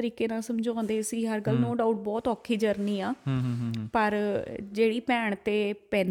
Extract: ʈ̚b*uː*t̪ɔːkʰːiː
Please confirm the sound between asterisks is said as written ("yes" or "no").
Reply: no